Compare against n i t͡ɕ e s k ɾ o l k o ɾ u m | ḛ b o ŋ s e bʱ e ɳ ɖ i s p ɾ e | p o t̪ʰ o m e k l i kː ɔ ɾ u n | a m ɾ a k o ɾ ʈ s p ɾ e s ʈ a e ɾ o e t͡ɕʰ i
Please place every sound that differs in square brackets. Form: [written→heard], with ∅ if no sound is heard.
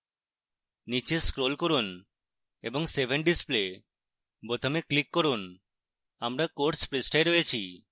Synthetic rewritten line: n i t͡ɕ e s k ɾ o l k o ɾ u [m→n] | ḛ b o ŋ s e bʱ e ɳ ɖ i s p [ɾ→l] e | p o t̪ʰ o m e k l i kː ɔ ɾ u n | a m ɾ a k o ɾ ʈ s p ɾ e s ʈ a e ɾ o e t͡ɕʰ i